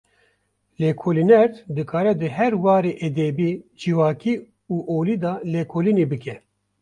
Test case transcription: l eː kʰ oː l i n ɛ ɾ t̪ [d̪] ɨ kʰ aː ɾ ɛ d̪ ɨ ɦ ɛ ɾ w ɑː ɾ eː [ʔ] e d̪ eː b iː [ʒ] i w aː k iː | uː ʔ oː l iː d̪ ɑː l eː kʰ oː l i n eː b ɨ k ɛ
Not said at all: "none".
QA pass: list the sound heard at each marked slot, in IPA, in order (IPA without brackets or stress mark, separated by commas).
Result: d̪, ʔ, d͡ʒ